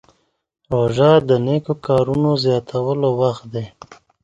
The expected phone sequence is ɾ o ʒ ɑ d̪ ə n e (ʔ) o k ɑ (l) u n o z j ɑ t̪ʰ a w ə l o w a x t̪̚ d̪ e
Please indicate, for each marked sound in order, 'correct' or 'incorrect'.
incorrect: k, incorrect: ɾ

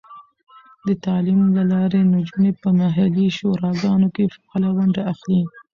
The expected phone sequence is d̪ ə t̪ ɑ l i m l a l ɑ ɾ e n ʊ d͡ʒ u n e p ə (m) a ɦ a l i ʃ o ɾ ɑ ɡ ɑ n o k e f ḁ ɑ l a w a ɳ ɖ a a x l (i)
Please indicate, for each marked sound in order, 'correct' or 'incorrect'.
correct, correct

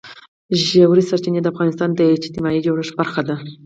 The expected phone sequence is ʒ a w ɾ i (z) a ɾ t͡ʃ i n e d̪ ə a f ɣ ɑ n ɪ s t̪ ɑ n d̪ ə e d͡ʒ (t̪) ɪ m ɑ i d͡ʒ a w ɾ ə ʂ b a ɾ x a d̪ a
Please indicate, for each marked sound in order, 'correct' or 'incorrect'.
incorrect: s, correct

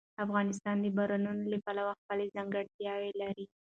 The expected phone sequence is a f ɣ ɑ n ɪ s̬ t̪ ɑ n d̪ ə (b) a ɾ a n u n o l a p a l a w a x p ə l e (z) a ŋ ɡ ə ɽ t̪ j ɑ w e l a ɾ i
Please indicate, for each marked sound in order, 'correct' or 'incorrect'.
correct, correct

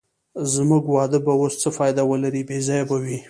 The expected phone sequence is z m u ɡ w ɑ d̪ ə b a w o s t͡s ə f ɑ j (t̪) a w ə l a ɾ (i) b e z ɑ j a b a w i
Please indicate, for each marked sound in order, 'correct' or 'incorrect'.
incorrect: d̪, correct

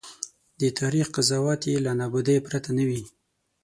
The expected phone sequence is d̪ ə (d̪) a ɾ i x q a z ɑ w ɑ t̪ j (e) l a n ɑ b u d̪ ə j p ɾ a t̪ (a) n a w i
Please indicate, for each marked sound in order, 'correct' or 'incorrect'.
incorrect: t̪, correct, correct

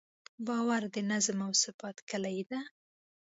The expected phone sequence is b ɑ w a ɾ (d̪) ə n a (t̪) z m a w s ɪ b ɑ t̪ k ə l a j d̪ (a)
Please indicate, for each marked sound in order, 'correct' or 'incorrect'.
correct, incorrect: none, correct

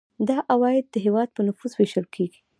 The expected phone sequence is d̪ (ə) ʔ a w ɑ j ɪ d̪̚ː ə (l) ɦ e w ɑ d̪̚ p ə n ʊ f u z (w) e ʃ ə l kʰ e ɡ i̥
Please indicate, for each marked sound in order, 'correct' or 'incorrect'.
incorrect: ɑ, incorrect: none, correct

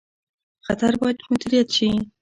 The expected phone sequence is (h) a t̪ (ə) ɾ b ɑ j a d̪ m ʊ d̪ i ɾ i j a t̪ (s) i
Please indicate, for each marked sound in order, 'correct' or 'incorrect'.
incorrect: x, incorrect: a, incorrect: ʃ

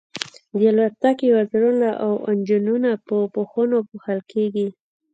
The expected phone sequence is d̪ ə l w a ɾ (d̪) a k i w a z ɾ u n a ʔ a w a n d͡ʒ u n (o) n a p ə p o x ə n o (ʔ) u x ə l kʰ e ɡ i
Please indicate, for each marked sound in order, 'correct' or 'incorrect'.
incorrect: t̪, incorrect: u, incorrect: p

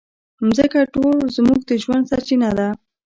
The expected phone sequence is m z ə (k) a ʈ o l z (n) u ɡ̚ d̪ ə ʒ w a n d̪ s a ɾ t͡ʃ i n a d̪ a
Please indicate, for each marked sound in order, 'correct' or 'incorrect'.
correct, incorrect: m

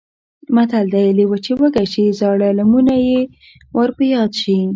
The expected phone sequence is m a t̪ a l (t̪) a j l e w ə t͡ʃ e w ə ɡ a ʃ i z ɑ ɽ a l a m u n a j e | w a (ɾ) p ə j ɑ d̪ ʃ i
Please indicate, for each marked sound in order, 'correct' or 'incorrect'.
incorrect: d̪, correct

